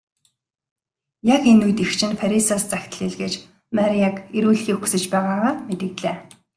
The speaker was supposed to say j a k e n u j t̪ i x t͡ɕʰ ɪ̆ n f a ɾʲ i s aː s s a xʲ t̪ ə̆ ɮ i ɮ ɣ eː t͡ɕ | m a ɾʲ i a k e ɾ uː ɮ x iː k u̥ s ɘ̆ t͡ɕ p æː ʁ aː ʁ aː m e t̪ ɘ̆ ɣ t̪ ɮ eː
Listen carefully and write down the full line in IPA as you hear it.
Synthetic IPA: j a k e n u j t̪ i x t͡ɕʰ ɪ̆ n f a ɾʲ i s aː s t͡s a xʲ t̪ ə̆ ɮ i ɮ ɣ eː t͡ɕ | m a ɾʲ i a k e ɾ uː ɮ x iː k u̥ s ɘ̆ t͡ɕ p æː ʁ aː ʁ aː m e t̪ ɘ̆ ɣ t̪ ɮ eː